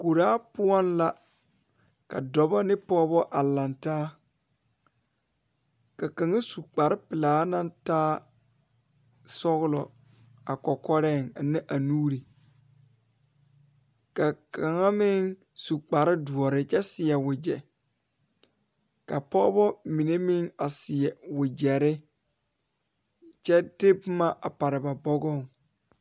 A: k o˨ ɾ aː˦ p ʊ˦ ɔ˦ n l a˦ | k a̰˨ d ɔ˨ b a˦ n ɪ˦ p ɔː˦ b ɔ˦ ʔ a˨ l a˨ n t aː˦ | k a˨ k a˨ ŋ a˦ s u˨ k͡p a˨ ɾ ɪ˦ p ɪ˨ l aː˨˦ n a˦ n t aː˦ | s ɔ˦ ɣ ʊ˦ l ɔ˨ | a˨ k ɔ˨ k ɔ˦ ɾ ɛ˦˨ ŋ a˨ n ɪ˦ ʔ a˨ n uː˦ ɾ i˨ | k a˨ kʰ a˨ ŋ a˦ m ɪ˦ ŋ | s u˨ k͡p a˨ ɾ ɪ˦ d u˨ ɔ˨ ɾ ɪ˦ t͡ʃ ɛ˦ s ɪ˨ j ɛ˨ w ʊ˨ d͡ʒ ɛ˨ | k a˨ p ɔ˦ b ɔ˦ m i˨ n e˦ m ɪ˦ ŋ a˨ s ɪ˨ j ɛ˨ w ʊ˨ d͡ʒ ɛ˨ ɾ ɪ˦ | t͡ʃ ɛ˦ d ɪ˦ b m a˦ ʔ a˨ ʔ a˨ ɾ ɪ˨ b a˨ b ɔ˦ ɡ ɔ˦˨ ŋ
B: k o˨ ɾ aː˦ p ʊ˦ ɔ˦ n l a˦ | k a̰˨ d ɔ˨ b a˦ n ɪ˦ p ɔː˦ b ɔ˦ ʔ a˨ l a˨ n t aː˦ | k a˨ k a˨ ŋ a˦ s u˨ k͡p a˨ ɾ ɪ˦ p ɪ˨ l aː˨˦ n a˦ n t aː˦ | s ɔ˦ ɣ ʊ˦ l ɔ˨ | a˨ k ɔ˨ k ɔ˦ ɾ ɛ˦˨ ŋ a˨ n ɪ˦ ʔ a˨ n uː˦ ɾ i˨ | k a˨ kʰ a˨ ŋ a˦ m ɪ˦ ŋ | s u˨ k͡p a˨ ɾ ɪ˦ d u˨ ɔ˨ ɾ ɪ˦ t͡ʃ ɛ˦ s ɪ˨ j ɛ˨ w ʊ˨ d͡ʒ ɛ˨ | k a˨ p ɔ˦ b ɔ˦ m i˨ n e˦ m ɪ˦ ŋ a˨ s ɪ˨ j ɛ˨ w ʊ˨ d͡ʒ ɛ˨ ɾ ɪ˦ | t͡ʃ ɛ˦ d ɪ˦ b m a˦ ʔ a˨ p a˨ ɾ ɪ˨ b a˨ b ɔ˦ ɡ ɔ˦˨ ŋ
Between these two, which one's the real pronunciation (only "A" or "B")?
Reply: B